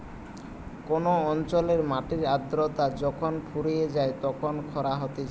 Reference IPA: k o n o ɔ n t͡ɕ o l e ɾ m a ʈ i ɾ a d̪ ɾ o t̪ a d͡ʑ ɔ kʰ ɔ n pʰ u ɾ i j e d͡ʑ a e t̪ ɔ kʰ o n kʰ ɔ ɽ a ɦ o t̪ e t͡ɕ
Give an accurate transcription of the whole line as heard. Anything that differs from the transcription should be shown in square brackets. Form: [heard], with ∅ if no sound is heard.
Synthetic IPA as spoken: k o n o ɔ n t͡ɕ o l e ɾ m a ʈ i ɾ a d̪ ɾ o t̪ a d͡ʑ ɔ kʰ [o] n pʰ u ɾ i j e d͡ʑ a e t̪ ɔ kʰ o n kʰ ɔ [ɾ] a ɦ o t̪ e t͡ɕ